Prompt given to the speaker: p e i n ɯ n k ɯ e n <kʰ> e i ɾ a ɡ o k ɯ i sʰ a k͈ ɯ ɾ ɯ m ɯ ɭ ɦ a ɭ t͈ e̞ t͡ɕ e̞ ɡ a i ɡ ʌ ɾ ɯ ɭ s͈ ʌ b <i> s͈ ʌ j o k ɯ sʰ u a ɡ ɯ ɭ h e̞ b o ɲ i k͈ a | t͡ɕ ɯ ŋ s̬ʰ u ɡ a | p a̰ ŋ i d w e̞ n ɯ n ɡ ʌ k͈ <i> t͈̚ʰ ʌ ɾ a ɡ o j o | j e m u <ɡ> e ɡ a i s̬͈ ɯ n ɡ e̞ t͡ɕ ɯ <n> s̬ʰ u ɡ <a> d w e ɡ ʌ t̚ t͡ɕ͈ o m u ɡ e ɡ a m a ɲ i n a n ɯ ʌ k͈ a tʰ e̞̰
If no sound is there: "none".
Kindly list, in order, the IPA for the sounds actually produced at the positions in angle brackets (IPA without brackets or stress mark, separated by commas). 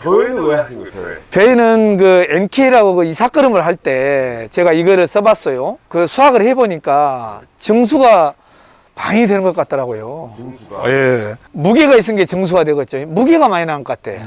kʰ, a, a, ɡ, ŋ, a